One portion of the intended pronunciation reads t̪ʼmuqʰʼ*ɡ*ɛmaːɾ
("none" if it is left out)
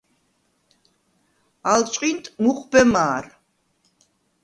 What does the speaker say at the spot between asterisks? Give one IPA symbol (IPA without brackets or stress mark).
b